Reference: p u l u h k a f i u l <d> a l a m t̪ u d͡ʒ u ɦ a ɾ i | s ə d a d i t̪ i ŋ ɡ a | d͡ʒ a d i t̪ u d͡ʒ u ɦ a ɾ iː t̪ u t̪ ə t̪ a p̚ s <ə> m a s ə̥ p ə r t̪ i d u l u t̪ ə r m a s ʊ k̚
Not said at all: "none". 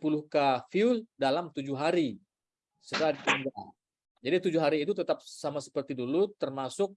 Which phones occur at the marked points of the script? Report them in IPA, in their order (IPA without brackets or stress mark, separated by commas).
d, a